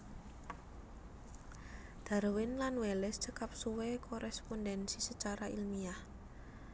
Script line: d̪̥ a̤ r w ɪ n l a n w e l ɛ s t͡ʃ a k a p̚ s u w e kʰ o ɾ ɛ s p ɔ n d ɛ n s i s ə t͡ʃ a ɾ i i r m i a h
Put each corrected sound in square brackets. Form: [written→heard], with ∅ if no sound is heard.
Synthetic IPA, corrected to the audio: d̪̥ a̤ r w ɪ n l a n w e l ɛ s t͡ʃ [a→ə] k a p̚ s u w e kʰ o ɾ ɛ s p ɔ n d ɛ n s i s ə t͡ʃ a ɾ [i→a] i [r→l] m i a h